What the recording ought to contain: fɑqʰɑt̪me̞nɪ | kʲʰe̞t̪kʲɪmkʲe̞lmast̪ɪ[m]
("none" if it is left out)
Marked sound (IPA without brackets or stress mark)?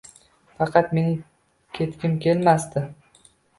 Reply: none